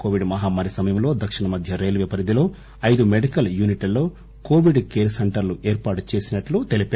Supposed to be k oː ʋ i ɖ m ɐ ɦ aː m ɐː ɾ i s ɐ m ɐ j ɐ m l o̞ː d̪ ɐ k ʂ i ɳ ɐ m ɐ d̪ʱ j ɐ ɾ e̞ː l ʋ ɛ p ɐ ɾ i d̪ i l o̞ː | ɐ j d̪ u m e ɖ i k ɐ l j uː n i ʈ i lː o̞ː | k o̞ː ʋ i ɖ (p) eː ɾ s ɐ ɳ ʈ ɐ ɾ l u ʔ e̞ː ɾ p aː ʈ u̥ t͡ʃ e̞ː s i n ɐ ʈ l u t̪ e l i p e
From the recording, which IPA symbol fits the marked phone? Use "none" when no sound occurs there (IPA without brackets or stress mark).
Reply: k